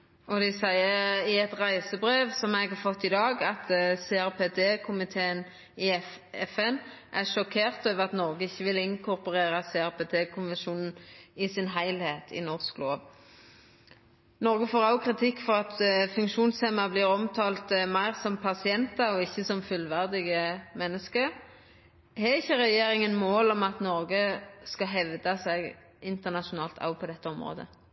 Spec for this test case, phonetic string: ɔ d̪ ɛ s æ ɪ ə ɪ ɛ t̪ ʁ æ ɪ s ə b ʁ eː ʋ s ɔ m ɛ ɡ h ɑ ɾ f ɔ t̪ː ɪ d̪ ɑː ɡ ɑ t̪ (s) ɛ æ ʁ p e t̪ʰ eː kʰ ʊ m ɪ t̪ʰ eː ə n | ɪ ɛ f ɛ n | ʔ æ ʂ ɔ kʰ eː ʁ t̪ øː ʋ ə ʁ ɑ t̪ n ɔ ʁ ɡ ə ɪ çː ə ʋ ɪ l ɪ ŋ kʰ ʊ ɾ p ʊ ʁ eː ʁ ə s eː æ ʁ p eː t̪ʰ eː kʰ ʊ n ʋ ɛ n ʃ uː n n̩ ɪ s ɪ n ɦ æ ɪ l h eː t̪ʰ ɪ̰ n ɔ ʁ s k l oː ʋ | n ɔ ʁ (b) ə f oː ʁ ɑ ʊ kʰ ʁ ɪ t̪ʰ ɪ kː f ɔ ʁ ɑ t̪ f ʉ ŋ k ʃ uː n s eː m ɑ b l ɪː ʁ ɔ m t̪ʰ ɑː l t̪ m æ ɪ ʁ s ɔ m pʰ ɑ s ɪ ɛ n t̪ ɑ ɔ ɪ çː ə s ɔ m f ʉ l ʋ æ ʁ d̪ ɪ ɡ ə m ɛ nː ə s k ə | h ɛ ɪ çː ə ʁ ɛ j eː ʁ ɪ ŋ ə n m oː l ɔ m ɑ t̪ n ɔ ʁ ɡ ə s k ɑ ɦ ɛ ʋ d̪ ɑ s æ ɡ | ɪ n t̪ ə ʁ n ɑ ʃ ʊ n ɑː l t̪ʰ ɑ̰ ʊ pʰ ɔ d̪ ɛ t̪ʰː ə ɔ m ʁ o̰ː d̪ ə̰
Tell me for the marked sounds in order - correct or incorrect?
correct, incorrect: ɡ

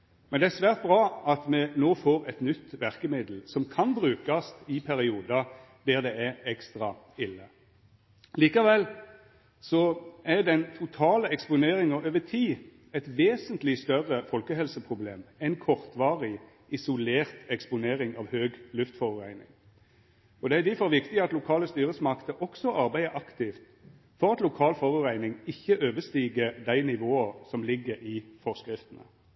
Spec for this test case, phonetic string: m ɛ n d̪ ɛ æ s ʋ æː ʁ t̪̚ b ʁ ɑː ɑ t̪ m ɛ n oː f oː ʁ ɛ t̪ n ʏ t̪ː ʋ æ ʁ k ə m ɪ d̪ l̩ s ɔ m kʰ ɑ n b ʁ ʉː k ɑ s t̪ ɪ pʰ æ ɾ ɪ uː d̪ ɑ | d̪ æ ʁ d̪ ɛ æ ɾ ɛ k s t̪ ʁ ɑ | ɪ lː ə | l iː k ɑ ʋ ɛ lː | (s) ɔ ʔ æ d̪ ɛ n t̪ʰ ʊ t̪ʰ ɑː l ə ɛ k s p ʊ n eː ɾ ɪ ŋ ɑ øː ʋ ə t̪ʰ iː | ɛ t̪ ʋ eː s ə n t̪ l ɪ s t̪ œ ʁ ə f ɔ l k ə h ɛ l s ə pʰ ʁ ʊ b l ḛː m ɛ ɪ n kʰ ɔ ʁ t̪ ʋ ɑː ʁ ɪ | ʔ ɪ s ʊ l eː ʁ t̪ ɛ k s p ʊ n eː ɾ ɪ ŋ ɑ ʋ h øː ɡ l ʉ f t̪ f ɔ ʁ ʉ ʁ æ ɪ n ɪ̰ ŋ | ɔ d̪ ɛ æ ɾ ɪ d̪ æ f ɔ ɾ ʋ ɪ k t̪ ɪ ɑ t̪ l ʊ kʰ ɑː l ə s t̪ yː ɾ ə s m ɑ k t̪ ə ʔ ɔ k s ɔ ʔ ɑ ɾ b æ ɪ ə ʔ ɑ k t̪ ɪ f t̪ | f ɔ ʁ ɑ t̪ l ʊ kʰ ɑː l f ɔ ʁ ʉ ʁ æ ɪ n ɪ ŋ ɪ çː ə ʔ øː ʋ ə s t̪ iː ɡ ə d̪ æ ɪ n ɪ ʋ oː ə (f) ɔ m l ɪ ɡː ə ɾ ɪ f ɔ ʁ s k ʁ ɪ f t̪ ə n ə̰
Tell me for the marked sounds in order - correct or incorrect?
correct, incorrect: s

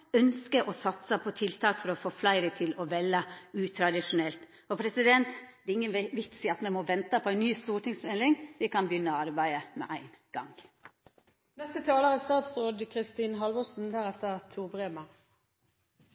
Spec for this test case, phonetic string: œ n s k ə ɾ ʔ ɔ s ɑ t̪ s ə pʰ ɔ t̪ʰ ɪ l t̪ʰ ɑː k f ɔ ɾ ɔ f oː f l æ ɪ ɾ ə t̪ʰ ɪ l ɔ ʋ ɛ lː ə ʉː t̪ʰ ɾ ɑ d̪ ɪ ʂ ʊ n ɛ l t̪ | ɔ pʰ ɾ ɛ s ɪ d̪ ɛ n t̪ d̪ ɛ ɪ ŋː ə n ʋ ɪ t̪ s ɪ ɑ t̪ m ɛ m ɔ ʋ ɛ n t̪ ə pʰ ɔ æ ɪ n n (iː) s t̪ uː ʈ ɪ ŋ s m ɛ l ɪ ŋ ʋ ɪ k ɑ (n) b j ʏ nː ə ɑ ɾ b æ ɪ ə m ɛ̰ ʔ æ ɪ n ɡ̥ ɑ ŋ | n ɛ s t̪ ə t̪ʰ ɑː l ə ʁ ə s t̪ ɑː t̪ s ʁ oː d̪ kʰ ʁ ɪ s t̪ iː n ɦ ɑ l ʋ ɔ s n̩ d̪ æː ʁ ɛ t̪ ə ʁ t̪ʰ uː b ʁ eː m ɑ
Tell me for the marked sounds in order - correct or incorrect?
incorrect: yː, correct

